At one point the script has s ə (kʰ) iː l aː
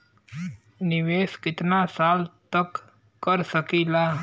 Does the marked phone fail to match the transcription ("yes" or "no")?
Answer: yes